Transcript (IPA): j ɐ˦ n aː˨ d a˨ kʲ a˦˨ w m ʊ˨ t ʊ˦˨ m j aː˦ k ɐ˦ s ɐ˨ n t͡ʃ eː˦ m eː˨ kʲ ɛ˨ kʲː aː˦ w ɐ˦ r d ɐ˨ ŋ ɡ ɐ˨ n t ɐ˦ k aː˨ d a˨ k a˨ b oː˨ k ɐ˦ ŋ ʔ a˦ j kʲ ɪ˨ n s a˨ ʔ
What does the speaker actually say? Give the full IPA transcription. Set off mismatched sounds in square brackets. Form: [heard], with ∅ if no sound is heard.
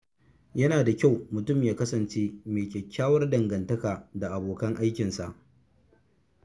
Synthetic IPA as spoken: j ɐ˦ n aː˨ d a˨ kʲ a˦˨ w m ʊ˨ t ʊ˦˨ m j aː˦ k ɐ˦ s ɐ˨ n t͡ʃ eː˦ m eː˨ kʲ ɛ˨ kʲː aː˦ w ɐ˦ r d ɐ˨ ŋ ɡ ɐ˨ n t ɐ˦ k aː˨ d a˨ [ʔ] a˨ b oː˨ k ɐ˦ ŋ ʔ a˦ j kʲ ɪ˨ n s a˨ ʔ